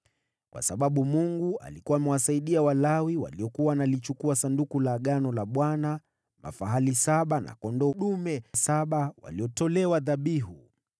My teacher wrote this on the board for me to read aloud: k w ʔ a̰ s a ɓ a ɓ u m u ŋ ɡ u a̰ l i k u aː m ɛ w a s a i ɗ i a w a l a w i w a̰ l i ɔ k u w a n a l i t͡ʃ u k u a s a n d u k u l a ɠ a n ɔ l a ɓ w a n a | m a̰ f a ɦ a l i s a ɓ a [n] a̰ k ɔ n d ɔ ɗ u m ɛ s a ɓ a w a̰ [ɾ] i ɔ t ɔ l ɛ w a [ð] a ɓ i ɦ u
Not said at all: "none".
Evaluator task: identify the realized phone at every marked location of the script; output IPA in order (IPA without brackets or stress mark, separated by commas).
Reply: n, l, ð